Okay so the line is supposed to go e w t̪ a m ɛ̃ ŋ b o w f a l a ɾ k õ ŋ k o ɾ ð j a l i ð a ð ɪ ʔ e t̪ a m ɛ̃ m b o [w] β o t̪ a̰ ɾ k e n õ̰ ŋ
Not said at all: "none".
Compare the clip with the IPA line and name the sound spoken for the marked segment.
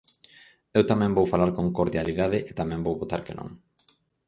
w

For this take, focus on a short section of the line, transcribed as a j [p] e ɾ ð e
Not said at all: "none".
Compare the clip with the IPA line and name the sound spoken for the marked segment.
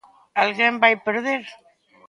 p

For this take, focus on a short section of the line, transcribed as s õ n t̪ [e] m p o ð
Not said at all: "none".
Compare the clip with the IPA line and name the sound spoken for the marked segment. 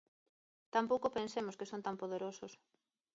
a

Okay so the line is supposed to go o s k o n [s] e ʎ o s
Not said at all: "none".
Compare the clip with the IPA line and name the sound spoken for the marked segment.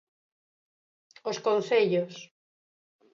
θ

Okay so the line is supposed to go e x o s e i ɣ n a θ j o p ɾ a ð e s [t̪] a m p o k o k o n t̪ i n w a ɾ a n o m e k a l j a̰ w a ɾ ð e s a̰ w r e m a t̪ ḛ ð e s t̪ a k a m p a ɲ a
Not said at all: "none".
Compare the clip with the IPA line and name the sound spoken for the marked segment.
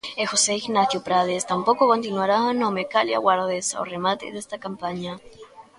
t̪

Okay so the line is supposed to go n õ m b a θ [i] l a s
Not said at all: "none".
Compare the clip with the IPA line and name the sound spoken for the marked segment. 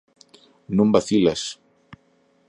i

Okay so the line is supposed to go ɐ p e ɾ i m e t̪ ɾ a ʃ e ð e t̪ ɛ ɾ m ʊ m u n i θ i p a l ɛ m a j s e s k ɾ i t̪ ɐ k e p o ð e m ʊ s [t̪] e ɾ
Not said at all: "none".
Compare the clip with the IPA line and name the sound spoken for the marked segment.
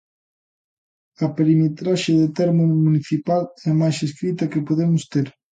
t̪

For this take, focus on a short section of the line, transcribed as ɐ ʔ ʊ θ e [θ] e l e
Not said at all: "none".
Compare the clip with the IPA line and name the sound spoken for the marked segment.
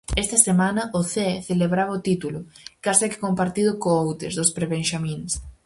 θ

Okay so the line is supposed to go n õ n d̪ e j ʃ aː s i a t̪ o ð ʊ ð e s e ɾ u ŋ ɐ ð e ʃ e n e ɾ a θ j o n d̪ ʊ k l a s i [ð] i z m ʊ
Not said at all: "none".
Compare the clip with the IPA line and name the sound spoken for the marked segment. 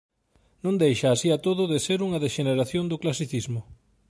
θ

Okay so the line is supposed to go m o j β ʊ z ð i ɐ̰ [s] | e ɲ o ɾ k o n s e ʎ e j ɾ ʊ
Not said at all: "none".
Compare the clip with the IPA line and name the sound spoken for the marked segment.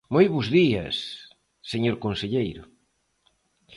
sː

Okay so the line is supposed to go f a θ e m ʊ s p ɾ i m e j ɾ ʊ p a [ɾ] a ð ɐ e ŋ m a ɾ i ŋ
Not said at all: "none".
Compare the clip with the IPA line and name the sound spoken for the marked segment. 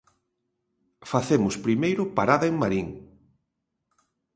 ɾ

